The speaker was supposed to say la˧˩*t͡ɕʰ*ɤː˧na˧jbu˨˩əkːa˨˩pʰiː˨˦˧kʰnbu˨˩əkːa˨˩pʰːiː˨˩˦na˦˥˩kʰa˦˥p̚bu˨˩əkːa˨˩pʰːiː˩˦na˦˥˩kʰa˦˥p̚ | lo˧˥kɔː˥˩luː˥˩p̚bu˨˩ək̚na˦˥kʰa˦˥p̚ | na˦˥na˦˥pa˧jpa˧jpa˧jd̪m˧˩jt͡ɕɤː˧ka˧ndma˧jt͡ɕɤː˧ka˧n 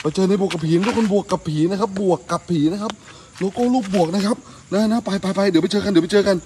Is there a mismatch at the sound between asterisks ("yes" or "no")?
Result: yes